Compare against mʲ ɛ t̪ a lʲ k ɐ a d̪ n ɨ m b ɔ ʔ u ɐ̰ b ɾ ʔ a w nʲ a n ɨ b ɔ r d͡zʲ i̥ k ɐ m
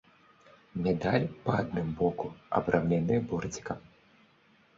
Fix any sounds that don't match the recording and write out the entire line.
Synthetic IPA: mʲ ɛ d̪ a lʲ p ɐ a d̪ n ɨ m b ɔ k u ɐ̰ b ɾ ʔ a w nʲ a n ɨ b ɔ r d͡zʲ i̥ k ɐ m